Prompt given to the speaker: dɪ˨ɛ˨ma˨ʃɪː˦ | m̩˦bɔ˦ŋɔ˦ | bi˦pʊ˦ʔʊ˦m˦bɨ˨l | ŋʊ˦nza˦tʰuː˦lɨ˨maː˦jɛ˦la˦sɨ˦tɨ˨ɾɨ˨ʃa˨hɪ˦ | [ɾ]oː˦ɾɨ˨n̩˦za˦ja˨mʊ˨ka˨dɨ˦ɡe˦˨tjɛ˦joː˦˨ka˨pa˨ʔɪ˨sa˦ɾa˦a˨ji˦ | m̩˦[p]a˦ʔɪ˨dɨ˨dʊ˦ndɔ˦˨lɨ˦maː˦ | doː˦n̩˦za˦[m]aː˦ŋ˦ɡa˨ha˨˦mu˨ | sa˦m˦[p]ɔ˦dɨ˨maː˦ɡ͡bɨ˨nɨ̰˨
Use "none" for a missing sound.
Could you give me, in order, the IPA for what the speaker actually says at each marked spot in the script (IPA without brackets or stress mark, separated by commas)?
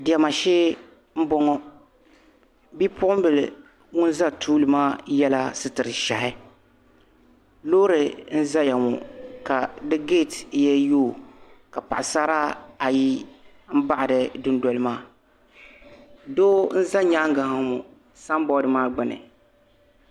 l, b, ɲ, b